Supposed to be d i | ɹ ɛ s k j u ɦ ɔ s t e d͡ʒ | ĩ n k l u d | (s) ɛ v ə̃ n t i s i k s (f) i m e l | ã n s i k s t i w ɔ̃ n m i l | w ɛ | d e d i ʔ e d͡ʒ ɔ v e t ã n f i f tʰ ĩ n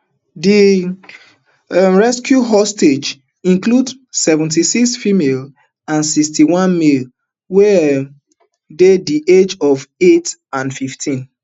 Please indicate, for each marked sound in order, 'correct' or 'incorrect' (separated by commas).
correct, correct